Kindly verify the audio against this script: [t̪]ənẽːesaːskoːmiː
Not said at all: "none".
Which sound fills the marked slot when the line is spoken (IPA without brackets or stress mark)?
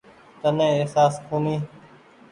t̪